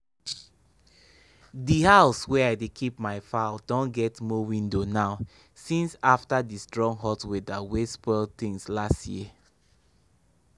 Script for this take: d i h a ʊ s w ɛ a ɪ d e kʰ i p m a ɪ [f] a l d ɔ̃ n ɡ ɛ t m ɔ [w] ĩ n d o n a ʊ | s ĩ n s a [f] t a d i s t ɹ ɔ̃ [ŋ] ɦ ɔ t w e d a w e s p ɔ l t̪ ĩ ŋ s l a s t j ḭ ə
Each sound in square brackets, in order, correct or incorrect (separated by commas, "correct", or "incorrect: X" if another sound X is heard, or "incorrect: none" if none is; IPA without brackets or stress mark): correct, correct, correct, correct